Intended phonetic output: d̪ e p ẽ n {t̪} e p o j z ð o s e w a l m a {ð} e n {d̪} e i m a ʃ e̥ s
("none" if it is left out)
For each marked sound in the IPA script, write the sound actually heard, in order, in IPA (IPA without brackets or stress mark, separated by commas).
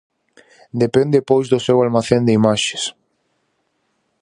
d̪, θ, d̪